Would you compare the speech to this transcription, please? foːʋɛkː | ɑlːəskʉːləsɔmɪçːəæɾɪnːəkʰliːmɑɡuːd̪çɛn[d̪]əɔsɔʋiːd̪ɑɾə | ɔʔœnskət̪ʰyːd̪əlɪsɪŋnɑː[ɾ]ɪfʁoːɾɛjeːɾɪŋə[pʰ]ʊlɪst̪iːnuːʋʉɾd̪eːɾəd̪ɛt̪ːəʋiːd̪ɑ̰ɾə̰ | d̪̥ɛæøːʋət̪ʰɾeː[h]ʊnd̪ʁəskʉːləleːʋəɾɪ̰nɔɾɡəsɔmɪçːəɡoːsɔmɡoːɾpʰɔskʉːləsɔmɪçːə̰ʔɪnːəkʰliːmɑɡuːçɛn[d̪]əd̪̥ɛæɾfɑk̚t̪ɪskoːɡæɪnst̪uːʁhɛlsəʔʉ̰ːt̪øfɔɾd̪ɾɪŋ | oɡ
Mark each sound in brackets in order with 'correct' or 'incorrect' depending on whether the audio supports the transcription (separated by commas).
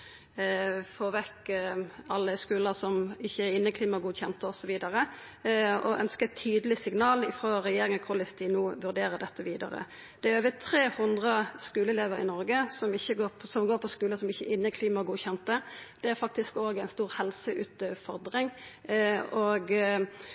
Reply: incorrect, incorrect, incorrect, correct, incorrect